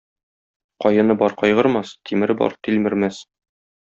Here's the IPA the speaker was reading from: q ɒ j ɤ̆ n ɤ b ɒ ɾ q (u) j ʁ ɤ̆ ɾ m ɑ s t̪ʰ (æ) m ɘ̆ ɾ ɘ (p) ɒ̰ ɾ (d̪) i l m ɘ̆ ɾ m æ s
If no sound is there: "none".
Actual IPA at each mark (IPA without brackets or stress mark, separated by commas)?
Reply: ɒ, i, b, t̪